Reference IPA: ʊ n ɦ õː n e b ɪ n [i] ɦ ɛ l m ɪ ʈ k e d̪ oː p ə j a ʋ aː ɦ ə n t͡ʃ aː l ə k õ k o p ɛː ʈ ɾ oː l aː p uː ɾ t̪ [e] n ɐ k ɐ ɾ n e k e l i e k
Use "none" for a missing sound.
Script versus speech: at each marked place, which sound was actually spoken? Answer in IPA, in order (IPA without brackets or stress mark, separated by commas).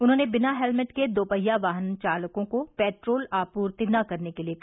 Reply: a, i